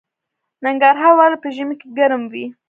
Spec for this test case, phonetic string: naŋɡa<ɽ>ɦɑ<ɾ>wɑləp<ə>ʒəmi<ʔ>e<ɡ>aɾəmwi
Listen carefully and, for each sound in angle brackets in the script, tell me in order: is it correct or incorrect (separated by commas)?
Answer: incorrect, correct, correct, incorrect, correct